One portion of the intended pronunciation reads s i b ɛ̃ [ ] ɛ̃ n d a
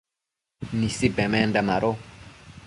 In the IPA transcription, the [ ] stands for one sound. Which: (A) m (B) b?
A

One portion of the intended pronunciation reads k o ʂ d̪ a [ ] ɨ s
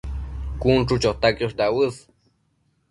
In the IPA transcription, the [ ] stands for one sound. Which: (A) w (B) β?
A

